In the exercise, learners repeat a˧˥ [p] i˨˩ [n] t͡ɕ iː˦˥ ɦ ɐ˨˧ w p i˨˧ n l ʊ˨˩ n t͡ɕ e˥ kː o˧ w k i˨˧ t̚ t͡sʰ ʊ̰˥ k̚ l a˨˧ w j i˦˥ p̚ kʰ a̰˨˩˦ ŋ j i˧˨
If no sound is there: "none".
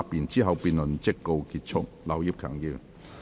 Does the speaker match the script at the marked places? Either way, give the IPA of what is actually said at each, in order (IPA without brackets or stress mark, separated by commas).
p, n